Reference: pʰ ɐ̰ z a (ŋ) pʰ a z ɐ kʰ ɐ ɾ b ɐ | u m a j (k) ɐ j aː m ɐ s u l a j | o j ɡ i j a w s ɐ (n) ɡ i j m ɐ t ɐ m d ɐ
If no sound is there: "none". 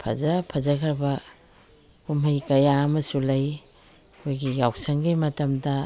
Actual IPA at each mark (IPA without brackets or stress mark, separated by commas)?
none, k, ŋ